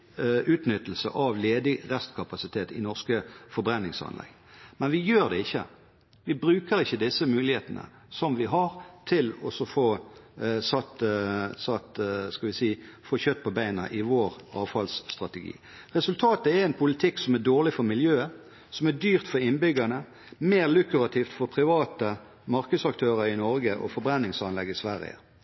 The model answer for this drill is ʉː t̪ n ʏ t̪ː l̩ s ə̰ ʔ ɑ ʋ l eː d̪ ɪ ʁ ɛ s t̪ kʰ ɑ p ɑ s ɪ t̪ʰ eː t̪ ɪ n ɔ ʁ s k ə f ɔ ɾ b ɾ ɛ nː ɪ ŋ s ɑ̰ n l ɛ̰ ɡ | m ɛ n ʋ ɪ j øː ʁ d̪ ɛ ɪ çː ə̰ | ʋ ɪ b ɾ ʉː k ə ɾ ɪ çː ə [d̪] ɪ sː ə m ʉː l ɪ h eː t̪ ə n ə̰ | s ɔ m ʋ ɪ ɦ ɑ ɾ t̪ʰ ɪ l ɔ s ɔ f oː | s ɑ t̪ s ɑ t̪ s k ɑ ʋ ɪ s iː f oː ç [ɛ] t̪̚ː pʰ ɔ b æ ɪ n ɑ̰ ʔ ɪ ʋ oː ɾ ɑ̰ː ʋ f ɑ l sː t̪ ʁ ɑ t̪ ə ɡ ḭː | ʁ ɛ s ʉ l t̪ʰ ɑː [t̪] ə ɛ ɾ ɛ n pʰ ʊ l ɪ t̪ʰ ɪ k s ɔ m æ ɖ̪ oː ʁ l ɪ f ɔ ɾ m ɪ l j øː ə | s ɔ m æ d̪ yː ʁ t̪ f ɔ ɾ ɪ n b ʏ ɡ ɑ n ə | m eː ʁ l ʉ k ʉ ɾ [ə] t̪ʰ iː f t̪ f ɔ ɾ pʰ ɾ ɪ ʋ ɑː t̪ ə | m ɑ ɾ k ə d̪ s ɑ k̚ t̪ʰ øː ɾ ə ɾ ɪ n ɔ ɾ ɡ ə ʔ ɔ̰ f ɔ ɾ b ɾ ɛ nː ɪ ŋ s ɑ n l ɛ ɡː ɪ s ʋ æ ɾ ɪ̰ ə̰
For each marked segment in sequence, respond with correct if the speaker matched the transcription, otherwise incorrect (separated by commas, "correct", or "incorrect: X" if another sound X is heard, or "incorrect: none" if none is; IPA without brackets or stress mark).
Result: correct, incorrect: œ, correct, incorrect: ɑ